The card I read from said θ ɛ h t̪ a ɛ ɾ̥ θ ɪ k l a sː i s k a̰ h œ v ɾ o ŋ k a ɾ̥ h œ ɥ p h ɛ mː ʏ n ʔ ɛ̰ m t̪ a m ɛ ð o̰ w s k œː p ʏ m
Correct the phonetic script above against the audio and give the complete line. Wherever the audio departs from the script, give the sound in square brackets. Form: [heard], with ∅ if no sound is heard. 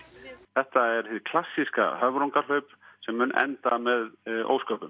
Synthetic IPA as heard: θ ɛ h t̪ a ɛ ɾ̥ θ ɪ [kʰ] l a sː i s k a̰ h œ v ɾ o ŋ k a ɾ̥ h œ ɥ p [s] ɛ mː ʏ n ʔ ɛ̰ [n] t̪ a m ɛ ð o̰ w s k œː p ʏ m

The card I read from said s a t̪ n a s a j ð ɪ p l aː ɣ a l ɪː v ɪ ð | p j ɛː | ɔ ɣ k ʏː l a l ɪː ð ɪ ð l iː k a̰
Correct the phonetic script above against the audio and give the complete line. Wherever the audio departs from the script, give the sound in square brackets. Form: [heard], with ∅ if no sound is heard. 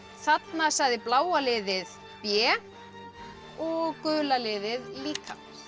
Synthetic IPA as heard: [θ] a t̪ n a s a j ð ɪ p l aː [w] a l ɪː [ð] ɪ ð | p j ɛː | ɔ ɣ k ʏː l a l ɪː ð ɪ ð l iː k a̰

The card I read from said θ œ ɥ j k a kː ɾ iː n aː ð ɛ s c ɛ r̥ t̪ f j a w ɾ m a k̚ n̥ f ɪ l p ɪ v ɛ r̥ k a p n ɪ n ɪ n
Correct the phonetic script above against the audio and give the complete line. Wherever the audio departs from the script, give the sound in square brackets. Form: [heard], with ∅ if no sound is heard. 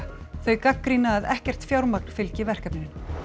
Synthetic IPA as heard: θ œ ɥ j k a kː ɾ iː n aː ð ɛ [h] c ɛ r̥ t̪ f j a w ɾ m a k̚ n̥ f ɪ l [c] ɪ v ɛ r̥ k a p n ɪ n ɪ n

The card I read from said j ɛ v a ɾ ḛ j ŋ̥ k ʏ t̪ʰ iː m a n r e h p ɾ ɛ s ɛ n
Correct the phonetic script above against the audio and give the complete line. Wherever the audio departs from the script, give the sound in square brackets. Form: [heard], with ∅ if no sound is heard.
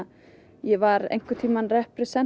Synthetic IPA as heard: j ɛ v a ɾ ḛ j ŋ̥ k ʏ t̪ʰ iː m a n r [ɛ] h p ɾ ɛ s ɛ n

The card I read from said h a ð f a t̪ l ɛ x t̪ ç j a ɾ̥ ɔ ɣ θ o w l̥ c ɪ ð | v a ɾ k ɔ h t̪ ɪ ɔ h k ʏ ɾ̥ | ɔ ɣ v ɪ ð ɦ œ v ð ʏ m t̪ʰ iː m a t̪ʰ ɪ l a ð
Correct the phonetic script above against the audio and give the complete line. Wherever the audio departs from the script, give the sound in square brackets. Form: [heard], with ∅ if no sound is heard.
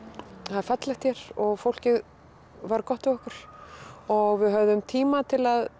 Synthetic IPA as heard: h a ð f a t̪ l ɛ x t̪ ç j [ɛ] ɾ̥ ɔ ɣ [f] o w l̥ c ɪ ð | v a ɾ k ɔ h t̪ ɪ ɔ h k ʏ ɾ̥ | ɔ ɣ v ɪ ð ɦ œ v ð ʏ m t̪ʰ iː m a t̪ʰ ɪ l a ð

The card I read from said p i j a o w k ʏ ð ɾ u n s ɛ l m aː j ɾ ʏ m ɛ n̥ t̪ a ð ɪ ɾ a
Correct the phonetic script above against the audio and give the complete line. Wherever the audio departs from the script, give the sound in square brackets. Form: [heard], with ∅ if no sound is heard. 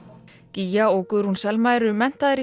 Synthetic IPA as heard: [c] i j a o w k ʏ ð ɾ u n s ɛ l m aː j ɾ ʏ m ɛ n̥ t̪ a ð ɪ ɾ [i]

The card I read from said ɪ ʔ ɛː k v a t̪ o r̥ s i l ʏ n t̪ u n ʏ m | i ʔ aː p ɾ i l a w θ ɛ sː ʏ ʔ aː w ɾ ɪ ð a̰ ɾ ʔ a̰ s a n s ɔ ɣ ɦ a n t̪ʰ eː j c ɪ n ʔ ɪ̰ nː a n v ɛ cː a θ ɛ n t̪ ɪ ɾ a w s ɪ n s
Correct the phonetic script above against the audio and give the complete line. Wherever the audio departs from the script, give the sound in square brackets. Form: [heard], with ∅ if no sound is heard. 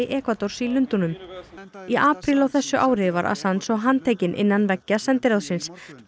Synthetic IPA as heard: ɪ ʔ ɛː k v a t̪ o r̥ s i l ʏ n t̪ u n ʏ m | i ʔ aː p ɾ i l a w θ ɛ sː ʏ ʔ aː w ɾ ɪ [v] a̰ ɾ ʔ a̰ s a n s ɔ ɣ ɦ a n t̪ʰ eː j c ɪ n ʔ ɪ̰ nː a n v ɛ cː a [s] ɛ n t̪ ɪ ɾ a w s ɪ n s

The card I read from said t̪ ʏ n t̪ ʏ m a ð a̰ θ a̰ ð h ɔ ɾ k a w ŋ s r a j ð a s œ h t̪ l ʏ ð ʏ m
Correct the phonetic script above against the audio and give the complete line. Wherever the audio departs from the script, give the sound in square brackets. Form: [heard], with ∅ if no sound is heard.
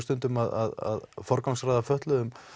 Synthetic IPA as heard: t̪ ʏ n t̪ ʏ m a ð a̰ [ð] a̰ ð [f] ɔ ɾ k a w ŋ s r a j ð a [f] œ h t̪ l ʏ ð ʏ m

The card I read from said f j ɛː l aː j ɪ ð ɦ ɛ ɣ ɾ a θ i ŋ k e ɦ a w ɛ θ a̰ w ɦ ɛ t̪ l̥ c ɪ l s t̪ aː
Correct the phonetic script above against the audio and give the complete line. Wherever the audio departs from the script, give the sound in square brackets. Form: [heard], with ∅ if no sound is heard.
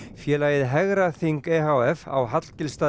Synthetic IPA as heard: f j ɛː l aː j ɪ ð ɦ ɛ ɣ ɾ a θ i ŋ k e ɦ a w ɛ [f] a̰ w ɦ [a] t̪ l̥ c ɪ l s t̪ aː

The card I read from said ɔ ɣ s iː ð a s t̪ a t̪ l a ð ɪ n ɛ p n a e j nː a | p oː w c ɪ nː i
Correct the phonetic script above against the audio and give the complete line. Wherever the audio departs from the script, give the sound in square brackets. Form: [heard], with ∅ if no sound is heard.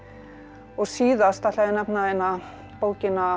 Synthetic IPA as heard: ɔ ɣ s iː ð a s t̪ a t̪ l a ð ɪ n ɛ p n a e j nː a | p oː w c ɪ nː [a]

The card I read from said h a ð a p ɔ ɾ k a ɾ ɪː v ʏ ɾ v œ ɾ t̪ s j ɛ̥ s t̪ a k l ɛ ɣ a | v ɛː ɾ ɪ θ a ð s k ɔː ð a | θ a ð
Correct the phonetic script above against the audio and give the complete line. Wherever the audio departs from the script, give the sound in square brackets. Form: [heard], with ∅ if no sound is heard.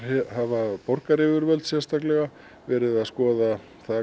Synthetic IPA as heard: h a [v] a p ɔ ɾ k a ɾ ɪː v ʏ ɾ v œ [l] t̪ s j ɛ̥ s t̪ a k l ɛ ɣ a | v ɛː ɾ ɪ [ð] a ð s k ɔː ð a | θ a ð

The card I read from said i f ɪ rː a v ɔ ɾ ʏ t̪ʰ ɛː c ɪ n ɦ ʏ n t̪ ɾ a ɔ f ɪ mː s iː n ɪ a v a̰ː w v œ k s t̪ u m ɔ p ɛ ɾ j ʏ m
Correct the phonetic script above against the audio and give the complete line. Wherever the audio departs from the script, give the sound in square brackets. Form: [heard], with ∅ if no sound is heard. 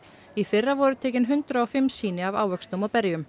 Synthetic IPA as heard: i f ɪ rː a v ɔ ɾ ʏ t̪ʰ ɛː c ɪ n ɦ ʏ n t̪ ɾ a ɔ f ɪ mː s iː n ɪ a v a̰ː w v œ k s t̪ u m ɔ p ɛ ɾ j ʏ m

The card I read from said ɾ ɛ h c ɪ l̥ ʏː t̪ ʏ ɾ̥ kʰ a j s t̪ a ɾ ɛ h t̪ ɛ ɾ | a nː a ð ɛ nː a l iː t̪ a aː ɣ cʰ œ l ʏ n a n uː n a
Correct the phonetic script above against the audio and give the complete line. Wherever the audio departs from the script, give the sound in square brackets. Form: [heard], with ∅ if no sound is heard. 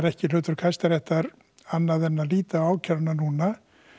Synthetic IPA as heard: ɾ ɛ h c ɪ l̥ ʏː t̪ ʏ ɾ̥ kʰ a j s t̪ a ɾ ɛ h t̪ [a] ɾ | a nː a ð ɛ nː a l iː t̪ a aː [w] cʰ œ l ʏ n a n uː n a

